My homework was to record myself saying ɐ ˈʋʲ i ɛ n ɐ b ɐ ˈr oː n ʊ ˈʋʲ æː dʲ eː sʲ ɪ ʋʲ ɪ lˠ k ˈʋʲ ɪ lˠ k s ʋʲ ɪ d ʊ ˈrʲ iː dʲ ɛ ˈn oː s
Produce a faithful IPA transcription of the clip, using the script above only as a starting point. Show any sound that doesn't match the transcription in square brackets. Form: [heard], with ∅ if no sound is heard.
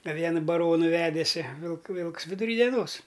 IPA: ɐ ˈʋʲ i ɛ n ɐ b ɐ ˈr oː n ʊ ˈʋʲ æː dʲ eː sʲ ɪ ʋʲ ɪ lˠ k ˈʋʲ ɪ lˠ k s ʋʲ ɪ d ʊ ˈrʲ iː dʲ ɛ ˈn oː s